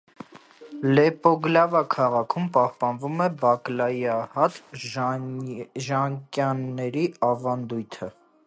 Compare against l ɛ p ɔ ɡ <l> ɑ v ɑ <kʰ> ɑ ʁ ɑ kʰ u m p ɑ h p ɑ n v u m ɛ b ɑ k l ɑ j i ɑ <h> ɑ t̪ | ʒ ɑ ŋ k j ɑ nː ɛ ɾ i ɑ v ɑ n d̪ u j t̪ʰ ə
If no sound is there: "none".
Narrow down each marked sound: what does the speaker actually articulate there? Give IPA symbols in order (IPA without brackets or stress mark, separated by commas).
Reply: l, kʰ, h